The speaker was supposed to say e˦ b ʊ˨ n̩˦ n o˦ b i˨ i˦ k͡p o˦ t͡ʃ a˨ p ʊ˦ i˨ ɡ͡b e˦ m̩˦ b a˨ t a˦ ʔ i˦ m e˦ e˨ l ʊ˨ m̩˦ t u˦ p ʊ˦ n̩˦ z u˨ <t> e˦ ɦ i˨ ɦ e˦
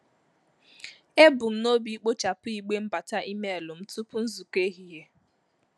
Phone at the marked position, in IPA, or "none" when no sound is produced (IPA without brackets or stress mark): k